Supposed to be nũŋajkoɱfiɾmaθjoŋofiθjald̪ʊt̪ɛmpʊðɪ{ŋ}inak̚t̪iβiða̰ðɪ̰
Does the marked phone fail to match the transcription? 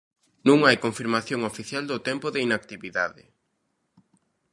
yes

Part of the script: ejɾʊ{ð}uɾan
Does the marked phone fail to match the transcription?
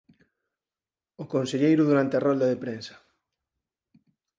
no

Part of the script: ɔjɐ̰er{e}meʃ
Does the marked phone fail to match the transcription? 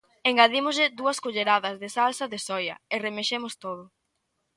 no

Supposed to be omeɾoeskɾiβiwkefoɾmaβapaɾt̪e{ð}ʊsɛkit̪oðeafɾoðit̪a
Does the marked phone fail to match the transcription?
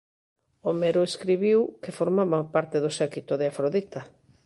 no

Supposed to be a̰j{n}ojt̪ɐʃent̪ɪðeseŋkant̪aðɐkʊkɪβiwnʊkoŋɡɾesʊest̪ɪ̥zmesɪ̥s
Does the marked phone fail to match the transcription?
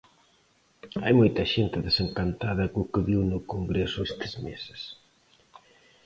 yes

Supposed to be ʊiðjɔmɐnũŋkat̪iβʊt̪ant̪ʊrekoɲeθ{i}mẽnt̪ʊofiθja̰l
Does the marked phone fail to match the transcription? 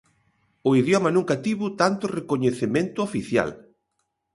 yes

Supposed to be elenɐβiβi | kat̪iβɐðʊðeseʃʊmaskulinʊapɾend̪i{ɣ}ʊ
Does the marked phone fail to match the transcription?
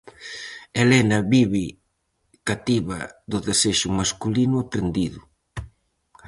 yes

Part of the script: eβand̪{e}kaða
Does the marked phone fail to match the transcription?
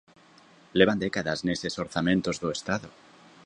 no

